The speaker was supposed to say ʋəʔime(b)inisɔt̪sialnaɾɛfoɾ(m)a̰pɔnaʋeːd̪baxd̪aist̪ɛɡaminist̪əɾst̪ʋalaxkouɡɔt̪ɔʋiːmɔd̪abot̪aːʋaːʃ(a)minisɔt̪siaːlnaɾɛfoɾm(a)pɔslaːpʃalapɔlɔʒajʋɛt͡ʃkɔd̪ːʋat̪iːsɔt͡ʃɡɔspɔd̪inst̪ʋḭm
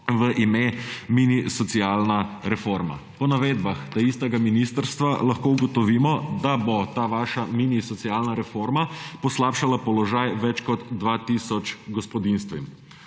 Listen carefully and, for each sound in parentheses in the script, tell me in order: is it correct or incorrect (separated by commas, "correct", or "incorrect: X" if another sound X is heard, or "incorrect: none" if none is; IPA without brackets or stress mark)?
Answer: incorrect: m, correct, correct, correct